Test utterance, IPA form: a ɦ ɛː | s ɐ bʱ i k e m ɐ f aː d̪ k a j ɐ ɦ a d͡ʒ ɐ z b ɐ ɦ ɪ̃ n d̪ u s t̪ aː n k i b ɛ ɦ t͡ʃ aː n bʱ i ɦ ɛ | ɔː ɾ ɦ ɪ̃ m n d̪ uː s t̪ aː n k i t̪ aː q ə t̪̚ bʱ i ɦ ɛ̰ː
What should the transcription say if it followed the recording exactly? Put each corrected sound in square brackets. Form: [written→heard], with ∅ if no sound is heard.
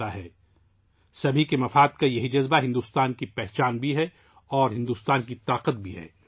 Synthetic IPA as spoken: a ɦ ɛː | s ɐ bʱ i k e m ɐ f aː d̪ k a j ɐ ɦ [a→i] d͡ʒ ɐ z b [ɐ→a] ɦ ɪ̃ n d̪ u s t̪ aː n k i [b→p] ɛ ɦ t͡ʃ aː n bʱ i ɦ ɛ | ɔː ɾ ɦ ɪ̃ [m→∅] n d̪ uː s t̪ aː n k i t̪ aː q ə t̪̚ bʱ i ɦ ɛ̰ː